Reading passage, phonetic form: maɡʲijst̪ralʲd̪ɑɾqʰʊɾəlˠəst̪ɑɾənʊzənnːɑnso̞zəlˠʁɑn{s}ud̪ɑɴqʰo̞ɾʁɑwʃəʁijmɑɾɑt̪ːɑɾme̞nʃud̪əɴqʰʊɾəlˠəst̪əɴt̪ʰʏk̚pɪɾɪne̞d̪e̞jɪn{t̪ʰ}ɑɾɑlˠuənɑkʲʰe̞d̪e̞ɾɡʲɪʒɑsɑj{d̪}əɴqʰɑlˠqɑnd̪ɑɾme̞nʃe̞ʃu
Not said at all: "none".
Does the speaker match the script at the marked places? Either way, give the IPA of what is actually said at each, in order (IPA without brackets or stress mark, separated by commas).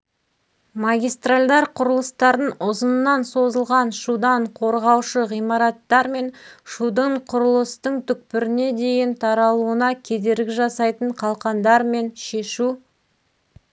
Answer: ʃ, t̪ʰ, t̪